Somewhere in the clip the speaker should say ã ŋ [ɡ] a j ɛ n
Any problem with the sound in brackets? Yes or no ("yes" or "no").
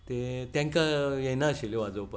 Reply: yes